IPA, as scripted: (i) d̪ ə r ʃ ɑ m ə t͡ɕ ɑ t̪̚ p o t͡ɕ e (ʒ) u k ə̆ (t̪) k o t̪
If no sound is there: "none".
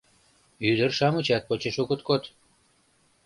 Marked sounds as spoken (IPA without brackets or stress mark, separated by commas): y, ʃ, t̪